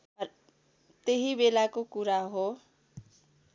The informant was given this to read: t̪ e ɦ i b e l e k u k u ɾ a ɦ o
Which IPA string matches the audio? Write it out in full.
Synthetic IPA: t̪ e ɦ i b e l a k o k u ɾ a ɦ o